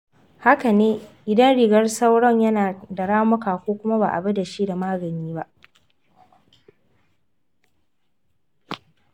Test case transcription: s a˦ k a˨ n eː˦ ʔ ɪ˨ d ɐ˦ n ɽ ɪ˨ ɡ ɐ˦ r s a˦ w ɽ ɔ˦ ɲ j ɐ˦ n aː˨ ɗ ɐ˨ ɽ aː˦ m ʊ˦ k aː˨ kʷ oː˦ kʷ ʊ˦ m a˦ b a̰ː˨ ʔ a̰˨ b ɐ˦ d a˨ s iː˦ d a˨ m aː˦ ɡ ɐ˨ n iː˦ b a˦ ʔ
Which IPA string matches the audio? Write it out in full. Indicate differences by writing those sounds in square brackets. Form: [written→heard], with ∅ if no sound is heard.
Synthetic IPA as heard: [s→h] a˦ k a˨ n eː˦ ʔ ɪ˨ d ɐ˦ n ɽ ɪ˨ ɡ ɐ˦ r s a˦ w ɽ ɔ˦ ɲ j ɐ˦ n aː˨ [ɗ→d] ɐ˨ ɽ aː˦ m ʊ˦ k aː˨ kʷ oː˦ kʷ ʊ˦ m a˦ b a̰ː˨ ʔ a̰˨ b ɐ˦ d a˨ [s→ʃ] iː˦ d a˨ m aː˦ ɡ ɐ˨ n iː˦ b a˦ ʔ